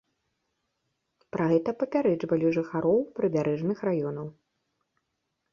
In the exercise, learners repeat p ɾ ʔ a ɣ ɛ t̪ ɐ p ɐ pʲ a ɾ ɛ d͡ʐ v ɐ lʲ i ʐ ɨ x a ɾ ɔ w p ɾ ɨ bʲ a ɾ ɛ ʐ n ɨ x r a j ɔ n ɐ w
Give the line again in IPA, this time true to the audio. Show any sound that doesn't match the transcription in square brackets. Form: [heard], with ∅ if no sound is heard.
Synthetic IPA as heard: p ɾ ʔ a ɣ ɛ t̪ ɐ p ɐ pʲ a ɾ ɛ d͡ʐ v ɐ lʲ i ʐ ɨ x a ɾ ɔ w p ɾ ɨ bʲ a ɾ ɛ ʐ n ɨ x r a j ɔ n ɐ w